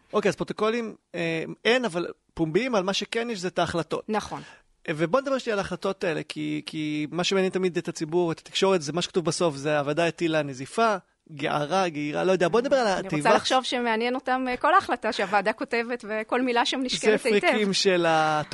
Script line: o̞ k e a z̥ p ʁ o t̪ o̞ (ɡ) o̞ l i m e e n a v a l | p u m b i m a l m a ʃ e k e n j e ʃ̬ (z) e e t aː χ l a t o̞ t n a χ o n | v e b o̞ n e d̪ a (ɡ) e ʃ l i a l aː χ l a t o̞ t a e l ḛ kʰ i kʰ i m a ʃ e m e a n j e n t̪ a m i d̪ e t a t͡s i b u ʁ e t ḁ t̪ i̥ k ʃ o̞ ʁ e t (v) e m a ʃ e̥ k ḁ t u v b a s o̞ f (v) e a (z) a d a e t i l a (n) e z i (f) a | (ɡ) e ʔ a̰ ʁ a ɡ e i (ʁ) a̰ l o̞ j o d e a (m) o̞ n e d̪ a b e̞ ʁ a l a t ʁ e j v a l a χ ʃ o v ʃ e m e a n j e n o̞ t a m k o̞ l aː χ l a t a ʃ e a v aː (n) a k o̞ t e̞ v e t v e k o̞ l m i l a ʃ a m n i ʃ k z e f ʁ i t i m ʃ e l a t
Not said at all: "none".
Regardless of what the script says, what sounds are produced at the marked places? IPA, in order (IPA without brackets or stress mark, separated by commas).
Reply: k, z, b, z, z, v, n, f, ɡ, ʁ, b, d